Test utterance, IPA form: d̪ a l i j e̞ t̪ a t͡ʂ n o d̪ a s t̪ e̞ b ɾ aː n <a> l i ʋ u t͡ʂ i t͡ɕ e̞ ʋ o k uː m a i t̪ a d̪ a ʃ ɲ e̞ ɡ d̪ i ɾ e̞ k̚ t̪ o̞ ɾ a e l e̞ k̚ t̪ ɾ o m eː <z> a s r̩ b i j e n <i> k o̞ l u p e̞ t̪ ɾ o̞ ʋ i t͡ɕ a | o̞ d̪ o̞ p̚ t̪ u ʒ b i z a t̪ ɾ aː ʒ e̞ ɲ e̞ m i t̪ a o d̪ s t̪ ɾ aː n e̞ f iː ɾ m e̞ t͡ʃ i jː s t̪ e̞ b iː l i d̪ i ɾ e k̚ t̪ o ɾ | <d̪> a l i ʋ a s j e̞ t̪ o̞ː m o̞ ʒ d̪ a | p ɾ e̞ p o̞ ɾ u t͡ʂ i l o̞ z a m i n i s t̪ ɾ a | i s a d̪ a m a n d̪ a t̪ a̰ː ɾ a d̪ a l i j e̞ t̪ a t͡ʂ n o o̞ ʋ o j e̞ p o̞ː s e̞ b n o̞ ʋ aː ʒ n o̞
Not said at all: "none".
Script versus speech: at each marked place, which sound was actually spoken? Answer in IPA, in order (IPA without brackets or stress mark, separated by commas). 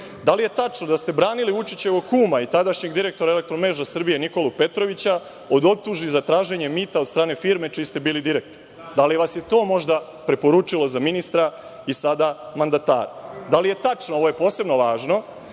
i, ʒ, i, d̪